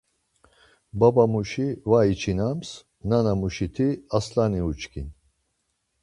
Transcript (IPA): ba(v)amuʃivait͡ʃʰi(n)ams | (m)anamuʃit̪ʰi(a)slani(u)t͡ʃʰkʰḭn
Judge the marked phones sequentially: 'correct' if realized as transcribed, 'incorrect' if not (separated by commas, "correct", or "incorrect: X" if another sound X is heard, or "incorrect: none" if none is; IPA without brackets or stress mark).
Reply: incorrect: b, correct, incorrect: n, correct, correct